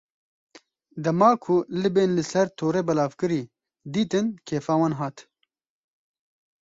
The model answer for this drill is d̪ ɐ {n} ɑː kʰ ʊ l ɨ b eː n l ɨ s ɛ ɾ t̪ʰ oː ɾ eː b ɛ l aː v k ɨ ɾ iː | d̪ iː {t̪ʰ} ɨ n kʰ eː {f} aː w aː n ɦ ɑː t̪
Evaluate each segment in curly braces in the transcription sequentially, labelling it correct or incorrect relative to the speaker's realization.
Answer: incorrect, incorrect, correct

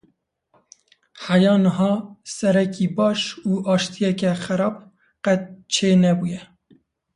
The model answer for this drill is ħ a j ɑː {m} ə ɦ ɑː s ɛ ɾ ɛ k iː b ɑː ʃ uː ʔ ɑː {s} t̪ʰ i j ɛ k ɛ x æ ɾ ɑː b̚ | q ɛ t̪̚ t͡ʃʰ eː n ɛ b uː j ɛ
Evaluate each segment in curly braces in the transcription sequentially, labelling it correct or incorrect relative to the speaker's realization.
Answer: incorrect, incorrect

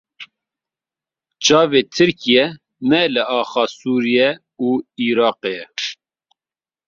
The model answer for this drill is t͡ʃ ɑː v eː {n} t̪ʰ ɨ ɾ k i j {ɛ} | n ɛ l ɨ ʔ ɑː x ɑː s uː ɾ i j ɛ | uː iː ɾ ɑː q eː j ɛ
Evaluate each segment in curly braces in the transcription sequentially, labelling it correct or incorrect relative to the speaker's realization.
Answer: incorrect, correct

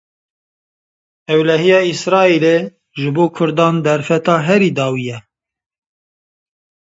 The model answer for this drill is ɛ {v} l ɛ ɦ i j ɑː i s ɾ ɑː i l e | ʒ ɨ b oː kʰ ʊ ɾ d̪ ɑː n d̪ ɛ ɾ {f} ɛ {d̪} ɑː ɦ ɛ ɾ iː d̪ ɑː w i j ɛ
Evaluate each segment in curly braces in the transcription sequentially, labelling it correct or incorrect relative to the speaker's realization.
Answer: incorrect, correct, incorrect

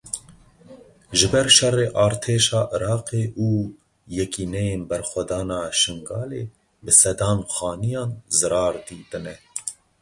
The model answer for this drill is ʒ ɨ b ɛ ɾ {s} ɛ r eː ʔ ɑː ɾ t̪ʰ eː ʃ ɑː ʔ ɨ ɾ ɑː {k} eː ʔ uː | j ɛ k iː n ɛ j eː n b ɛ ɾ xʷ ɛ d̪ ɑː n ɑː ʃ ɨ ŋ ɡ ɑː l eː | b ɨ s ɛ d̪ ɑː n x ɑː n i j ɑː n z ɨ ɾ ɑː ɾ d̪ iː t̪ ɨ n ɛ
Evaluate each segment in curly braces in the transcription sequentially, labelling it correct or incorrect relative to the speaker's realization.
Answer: incorrect, incorrect

